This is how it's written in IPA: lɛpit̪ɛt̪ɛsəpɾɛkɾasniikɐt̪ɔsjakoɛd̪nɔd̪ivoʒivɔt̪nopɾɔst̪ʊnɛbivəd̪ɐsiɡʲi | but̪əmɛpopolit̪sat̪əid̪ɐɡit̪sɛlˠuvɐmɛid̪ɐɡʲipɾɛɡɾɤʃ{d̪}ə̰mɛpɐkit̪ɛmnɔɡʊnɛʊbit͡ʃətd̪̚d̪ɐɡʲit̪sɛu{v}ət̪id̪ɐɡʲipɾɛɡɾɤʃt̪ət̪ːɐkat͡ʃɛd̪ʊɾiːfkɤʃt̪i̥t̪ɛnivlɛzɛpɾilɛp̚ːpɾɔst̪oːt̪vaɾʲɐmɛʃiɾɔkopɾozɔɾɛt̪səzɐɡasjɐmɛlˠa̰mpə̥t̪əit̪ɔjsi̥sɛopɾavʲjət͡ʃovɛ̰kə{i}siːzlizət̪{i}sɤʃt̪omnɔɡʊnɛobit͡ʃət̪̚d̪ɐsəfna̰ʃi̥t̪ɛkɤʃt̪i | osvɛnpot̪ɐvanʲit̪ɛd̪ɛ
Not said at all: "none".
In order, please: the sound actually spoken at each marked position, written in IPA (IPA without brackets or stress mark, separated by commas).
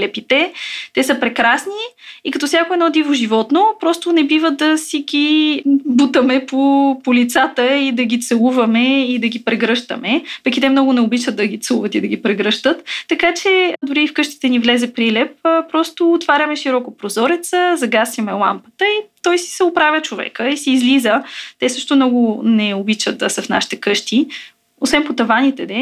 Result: t̪, v, i, ɛ